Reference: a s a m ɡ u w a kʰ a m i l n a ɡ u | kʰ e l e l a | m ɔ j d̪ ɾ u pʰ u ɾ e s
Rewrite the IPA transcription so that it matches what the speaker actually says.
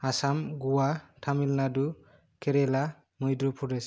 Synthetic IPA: a s a m ɡ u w a tʰ a m i l n a d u | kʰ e ɾ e l a | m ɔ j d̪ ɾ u pʰ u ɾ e s